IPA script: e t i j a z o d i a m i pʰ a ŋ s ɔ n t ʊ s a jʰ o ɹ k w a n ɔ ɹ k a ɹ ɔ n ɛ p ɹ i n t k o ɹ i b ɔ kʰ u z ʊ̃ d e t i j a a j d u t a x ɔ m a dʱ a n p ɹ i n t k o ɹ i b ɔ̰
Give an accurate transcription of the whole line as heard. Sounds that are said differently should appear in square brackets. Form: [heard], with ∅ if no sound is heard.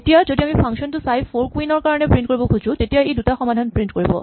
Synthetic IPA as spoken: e t i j a z o d i a m i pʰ a ŋ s ɔ n t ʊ s a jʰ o ɹ k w [i] n ɔ ɹ k a ɹ ɔ n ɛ p ɹ i n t k o ɹ i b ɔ kʰ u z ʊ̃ [t] e t i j a [e] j d u t a x ɔ m a dʱ a n p ɹ i n t k o ɹ i b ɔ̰